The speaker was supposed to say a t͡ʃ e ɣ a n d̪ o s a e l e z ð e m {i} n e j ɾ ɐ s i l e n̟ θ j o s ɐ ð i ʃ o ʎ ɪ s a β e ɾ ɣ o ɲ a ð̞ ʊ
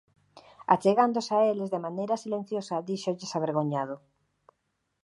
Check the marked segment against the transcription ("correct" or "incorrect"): incorrect